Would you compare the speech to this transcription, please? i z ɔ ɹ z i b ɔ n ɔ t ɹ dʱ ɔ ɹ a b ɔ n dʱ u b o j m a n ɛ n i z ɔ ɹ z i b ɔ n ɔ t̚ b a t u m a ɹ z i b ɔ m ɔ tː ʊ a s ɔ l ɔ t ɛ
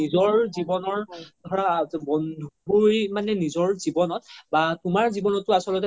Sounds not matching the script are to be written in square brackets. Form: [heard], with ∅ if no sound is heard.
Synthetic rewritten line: i z ɔ ɹ z i b ɔ n ɔ [∅] ɹ dʱ ɔ ɹ a b ɔ n dʱ u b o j m a n ɛ n i z ɔ ɹ z i b ɔ n ɔ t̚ b a t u m a ɹ z i b ɔ [n] ɔ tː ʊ a s ɔ l ɔ t ɛ

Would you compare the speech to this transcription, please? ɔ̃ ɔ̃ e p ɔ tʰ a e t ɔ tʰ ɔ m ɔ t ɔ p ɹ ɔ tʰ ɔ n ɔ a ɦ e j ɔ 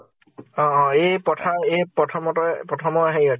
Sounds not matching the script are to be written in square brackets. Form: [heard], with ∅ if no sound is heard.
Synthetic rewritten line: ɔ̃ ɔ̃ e p ɔ tʰ a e [p] ɔ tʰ ɔ m ɔ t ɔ p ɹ ɔ tʰ ɔ [m] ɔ a ɦ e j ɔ

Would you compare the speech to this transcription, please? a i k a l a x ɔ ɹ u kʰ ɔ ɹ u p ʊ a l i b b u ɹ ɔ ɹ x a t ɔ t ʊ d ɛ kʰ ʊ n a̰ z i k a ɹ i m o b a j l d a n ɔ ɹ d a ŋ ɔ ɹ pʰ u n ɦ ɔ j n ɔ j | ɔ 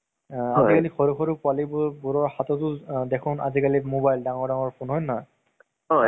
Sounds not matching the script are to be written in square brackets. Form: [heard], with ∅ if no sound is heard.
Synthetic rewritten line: a i k a l [i] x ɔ ɹ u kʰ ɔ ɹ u p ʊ a l i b b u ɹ ɔ ɹ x a t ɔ t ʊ d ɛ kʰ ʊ n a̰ z i k a [l] i m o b a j l d a [ŋ] ɔ ɹ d a ŋ ɔ ɹ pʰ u n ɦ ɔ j n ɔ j | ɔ

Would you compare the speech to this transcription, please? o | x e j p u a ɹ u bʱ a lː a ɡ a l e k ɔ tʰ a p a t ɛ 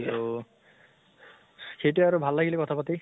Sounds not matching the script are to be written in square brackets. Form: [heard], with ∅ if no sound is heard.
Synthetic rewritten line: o | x e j [t] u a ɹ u bʱ a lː a ɡ [i] l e k ɔ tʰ a p a t [i]

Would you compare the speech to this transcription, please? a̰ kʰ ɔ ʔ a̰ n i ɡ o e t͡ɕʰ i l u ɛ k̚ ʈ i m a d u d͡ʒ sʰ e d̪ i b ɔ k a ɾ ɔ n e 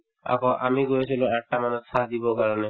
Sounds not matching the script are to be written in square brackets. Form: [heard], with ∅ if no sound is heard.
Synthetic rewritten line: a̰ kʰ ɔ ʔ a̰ [m] i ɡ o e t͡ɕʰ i l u ɛ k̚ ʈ [a] m a [n] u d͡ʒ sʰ [a] d̪ i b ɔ k a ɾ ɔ n e

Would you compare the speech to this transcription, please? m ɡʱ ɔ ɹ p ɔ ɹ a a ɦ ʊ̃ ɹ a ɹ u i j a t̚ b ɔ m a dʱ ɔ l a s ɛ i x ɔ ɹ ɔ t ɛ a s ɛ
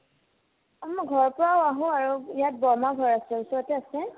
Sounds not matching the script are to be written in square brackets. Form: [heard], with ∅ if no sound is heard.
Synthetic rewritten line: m ɡʱ ɔ ɹ p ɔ ɹ a a ɦ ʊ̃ [∅] a ɹ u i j a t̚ b ɔ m a [ɡʱ] ɔ [ɹ] a s ɛ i [s] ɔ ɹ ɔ t ɛ a s ɛ

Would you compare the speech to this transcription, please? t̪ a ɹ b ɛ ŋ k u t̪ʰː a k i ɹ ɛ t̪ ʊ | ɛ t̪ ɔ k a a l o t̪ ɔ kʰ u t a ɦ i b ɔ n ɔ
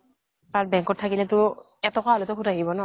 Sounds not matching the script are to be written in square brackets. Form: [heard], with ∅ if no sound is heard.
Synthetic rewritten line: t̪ a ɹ b ɛ ŋ k [ɔ] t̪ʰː a k i [l] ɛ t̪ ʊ | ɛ t̪ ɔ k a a l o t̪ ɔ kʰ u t a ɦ i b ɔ n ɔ

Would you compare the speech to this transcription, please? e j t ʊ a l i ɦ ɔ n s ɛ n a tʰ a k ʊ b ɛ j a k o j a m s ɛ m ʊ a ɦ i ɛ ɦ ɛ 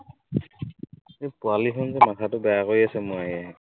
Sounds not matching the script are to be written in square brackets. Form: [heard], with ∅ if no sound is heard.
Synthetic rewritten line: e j [p] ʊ a l i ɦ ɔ n [z] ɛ [m] a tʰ a [t] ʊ b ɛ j a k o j a [∅] s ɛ m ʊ a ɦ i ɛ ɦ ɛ

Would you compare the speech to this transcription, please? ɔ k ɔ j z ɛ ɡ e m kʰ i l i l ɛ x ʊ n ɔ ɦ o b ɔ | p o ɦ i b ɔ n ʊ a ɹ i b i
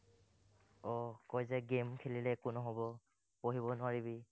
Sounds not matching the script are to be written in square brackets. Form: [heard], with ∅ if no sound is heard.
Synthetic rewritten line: ɔ k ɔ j z ɛ ɡ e m kʰ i l i l ɛ [k] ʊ n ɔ ɦ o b ɔ | p o ɦ i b ɔ n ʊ a ɹ i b i

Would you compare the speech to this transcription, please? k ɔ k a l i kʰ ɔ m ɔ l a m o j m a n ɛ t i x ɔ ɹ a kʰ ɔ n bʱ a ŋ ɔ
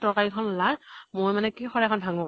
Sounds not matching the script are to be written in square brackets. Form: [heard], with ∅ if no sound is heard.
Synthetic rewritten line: [t] ɔ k a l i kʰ ɔ [n] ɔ l a m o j m a n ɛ [k] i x ɔ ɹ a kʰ ɔ n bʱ a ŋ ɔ

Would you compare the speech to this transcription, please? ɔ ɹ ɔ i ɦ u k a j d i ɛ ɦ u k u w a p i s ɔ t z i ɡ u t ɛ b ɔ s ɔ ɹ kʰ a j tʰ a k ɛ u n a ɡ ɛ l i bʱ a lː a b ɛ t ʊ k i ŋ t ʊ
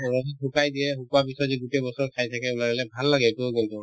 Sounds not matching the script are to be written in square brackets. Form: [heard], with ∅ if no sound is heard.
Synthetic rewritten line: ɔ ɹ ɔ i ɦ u k a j d i ɛ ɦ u k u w a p i s ɔ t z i ɡ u t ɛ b ɔ s ɔ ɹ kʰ a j tʰ a k ɛ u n a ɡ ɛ l [ɛ] bʱ a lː a [ɡ] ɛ t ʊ k i [n] t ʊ

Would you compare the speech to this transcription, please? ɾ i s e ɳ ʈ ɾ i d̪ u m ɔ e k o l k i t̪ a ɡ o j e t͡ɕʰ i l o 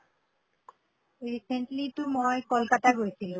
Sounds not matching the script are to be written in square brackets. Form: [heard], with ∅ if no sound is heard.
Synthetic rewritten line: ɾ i s e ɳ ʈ [l] i [t̪] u m ɔ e k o l k [a] t̪ a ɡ o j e t͡ɕʰ i l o

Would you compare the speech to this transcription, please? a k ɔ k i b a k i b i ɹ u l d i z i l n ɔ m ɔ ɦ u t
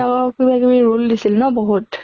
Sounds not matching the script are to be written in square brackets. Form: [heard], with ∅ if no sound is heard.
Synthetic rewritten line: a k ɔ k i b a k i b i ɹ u l d i [s] i l n ɔ [b] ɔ ɦ u t

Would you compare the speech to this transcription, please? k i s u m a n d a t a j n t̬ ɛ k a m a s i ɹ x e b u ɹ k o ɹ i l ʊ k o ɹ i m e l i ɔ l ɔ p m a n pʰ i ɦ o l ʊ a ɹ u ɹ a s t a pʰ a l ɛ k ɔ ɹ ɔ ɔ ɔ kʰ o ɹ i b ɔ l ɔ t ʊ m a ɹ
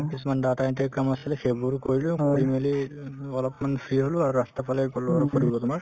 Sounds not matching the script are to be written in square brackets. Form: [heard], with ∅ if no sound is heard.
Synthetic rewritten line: k i s u m a n d a t a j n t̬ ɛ k a m a s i [l] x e b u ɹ k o ɹ i l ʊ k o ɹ i m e l i ɔ l ɔ p m a n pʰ i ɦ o l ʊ a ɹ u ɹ a s t a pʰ a l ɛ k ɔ [l] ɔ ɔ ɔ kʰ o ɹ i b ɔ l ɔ t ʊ m a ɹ

